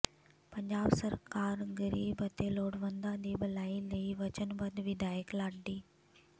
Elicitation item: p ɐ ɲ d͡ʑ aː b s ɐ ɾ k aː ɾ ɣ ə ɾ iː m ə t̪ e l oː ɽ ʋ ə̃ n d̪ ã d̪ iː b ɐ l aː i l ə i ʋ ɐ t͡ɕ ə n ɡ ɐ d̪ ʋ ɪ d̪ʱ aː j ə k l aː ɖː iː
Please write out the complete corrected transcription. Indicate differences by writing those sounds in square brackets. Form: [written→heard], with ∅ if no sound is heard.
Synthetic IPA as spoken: p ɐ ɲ d͡ʑ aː b s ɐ ɾ k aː ɾ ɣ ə ɾ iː [m→b] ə t̪ e l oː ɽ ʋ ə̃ n d̪ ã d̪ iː b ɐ l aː i l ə i ʋ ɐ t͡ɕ ə n [ɡ→b] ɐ d̪ ʋ ɪ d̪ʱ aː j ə k l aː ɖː iː

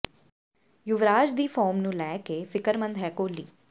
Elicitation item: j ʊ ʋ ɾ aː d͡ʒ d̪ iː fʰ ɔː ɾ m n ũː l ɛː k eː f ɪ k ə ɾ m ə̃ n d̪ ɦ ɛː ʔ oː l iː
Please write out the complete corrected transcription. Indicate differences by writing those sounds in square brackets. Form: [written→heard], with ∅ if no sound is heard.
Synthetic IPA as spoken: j ʊ ʋ ɾ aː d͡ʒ d̪ iː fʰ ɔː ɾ m n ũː l ɛː k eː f ɪ k ə ɾ m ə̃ n d̪ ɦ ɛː [ʔ→k] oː l iː

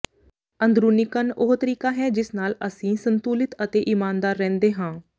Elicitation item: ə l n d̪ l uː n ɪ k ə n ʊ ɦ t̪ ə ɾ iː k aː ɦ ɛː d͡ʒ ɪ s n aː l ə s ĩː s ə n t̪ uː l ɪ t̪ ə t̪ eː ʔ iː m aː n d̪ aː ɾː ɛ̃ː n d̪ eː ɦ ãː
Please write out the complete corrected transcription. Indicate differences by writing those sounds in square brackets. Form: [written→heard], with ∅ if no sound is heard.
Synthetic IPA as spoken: ə [l→∅] n d̪ [l→ɾ] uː n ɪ k ə n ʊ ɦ t̪ ə ɾ iː k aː ɦ ɛː d͡ʒ ɪ s n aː l ə s ĩː s ə n t̪ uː l ɪ t̪ ə t̪ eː ʔ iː m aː n d̪ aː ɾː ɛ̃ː n d̪ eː ɦ ãː

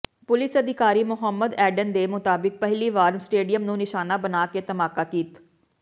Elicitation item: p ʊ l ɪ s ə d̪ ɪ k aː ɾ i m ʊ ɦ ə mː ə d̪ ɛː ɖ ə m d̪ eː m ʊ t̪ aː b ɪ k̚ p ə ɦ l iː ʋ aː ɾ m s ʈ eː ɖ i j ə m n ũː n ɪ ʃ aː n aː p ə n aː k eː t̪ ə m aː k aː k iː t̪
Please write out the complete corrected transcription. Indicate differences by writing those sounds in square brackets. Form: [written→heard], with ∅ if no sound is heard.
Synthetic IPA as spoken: p ʊ l ɪ s ə d̪ ɪ k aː ɾ [i→iː] m ʊ ɦ ə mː ə d̪ ɛː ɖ ə [m→n] d̪ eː m ʊ t̪ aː b ɪ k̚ p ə ɦ l iː ʋ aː ɾ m s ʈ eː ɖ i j ə m n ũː n ɪ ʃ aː n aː [p→b] ə n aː k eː t̪ ə m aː k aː k iː t̪

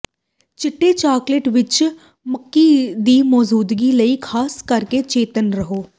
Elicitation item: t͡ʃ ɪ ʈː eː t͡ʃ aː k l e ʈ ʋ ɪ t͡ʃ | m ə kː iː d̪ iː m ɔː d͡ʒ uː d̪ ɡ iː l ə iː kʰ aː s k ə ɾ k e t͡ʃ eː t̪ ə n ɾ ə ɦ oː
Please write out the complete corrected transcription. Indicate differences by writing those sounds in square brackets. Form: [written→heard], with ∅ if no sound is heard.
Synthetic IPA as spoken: t͡ʃ ɪ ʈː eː t͡ʃ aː k l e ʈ ʋ ɪ t͡ʃ | m ə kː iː d̪ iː m ɔː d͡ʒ uː d̪ ɡ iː l ə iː kʰ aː s k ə ɾ k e t͡ʃ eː t̪ ə n ɾ ə ɦ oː

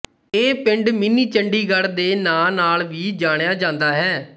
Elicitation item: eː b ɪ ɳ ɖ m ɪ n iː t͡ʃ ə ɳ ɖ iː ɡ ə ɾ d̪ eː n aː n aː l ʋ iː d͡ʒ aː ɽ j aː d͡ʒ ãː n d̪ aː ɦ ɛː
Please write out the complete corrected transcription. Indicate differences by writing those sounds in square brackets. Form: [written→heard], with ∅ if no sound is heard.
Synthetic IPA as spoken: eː [b→p] ɪ ɳ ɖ m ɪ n iː t͡ʃ ə ɳ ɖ iː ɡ ə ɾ d̪ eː n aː n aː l ʋ iː d͡ʒ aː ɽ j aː d͡ʒ ãː n d̪ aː ɦ ɛː

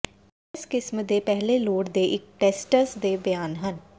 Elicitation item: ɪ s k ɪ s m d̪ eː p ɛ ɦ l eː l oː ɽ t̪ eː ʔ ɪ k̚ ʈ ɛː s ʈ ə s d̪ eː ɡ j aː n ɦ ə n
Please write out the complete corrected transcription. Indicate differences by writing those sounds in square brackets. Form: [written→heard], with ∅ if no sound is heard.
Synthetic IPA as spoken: ɪ s k ɪ s m d̪ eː p ɛ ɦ l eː l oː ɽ [t̪→d̪] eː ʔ ɪ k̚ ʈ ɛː s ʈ ə s d̪ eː [ɡ→b] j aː n ɦ ə n

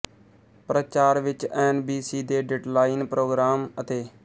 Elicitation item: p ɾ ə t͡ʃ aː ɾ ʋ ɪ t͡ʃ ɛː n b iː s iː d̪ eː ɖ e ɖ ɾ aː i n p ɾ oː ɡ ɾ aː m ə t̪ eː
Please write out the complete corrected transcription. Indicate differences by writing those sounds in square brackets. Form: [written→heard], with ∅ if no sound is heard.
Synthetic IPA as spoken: p ɾ ə t͡ʃ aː ɾ ʋ ɪ t͡ʃ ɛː n b iː s iː d̪ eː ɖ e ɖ [ɾ→l] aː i n p ɾ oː ɡ ɾ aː m ə t̪ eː

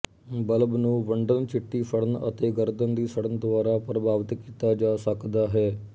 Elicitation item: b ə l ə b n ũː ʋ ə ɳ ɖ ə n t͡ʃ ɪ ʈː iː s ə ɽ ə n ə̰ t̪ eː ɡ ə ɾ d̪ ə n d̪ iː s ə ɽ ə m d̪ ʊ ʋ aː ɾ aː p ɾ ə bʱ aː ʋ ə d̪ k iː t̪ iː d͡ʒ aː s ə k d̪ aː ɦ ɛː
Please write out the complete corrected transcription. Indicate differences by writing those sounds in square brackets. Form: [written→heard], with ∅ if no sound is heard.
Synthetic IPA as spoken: b ə l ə b n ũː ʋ ə ɳ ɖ ə n t͡ʃ ɪ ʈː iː s ə ɽ ə n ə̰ t̪ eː ɡ ə ɾ d̪ ə n d̪ iː s ə ɽ ə [m→n] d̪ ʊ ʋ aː ɾ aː p ɾ ə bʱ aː ʋ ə [d̪→t̪] k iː t̪ [iː→aː] d͡ʒ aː s ə k d̪ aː ɦ ɛː

